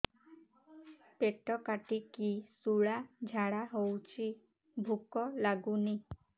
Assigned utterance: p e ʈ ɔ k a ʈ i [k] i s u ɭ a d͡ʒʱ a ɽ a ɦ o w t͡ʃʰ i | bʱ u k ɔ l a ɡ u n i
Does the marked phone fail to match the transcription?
no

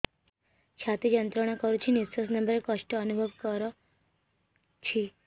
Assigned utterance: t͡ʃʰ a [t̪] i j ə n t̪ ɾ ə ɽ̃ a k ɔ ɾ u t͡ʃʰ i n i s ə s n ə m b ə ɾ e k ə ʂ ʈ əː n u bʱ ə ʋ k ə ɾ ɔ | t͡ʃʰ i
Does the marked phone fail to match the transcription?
no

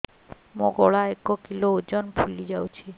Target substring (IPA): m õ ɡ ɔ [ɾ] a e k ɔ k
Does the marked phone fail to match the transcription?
yes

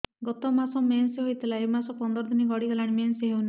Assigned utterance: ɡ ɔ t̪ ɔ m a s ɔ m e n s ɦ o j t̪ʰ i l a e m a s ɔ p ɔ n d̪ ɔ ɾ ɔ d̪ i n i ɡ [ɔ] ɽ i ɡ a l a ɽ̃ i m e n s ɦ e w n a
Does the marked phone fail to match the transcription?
no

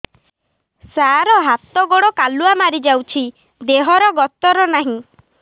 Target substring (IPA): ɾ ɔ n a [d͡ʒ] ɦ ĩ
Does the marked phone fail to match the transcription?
yes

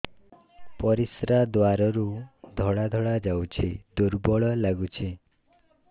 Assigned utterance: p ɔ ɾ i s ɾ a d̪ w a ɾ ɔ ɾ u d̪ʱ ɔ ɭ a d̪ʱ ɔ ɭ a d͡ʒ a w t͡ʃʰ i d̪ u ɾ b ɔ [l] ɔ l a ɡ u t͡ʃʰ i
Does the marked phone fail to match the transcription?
yes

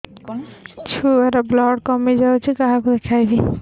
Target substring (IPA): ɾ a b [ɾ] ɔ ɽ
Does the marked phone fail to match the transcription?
yes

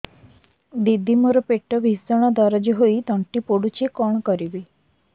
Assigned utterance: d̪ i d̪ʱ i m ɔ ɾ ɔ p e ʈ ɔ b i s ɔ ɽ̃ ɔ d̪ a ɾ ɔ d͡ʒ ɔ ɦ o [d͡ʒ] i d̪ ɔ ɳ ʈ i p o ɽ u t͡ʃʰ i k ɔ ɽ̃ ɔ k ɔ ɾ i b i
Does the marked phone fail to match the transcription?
yes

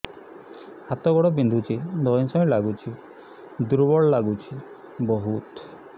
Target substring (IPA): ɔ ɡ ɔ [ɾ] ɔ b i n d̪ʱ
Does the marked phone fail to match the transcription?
yes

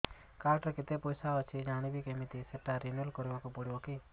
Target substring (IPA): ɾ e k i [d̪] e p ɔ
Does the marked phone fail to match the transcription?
yes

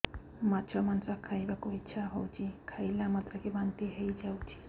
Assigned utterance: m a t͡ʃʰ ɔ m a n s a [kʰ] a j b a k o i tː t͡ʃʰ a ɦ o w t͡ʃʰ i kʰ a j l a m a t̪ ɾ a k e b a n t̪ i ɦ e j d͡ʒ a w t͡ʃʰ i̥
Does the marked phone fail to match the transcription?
no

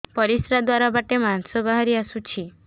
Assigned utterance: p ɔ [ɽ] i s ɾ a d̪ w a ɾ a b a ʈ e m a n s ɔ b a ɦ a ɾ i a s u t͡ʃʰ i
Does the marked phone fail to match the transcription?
yes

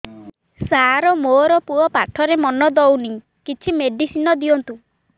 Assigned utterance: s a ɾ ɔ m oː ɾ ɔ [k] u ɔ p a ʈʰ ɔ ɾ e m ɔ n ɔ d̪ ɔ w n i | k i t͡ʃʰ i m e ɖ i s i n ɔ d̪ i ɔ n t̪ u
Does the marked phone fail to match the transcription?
yes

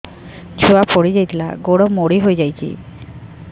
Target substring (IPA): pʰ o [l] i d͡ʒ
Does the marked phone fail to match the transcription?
yes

